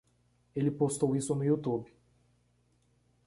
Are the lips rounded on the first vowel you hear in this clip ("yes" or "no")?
no